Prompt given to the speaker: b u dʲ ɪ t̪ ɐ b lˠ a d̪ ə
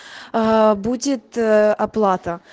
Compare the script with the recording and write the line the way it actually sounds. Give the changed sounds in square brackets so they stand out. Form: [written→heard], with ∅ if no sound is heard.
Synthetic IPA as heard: b u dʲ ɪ t̪ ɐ [b→p] lˠ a [d̪→t̪] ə